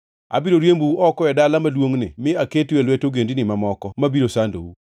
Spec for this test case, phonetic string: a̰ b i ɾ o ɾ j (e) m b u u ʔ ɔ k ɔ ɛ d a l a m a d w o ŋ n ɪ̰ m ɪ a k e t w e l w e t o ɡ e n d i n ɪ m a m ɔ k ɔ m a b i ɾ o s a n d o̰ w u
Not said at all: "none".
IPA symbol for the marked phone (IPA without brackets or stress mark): e